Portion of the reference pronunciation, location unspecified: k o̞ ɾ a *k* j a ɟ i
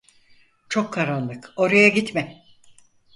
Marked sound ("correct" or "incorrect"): incorrect